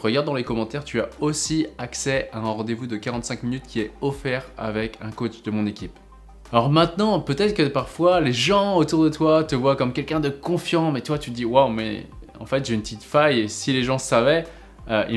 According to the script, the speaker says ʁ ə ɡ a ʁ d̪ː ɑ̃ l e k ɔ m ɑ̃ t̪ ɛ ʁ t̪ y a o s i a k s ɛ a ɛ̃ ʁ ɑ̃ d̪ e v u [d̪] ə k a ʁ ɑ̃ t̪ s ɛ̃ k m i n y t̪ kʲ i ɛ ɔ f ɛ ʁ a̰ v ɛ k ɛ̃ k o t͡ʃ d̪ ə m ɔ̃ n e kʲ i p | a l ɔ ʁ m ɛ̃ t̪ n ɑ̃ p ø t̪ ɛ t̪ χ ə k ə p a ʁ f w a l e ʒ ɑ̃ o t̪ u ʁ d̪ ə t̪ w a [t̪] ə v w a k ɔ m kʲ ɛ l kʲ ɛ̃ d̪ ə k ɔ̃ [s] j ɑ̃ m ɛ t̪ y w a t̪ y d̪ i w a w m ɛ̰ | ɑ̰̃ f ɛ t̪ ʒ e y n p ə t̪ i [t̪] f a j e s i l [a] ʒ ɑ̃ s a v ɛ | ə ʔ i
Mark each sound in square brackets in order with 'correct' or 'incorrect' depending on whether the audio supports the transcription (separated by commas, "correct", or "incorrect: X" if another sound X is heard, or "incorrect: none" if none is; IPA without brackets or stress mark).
correct, correct, incorrect: f, correct, incorrect: e